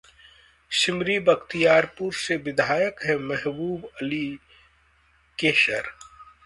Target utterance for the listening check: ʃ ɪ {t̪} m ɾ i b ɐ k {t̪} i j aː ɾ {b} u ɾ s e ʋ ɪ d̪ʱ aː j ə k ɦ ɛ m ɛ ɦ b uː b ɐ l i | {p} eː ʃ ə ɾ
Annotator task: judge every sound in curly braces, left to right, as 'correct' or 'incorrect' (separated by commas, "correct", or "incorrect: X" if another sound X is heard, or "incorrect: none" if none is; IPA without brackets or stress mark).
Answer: incorrect: none, correct, incorrect: p, incorrect: k